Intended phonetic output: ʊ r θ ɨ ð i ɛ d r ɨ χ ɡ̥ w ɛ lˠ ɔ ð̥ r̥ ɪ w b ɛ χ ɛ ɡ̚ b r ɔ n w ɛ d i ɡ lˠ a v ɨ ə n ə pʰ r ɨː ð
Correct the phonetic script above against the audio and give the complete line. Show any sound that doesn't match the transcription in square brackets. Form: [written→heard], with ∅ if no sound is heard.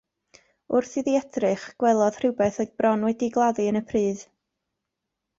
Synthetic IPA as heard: ʊ r θ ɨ ð i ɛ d r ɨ χ ɡ̥ w ɛ lˠ ɔ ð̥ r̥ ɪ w b ɛ [χ→θ] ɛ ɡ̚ b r ɔ n w ɛ d i ɡ lˠ a [v→ð] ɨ ə n ə pʰ r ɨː ð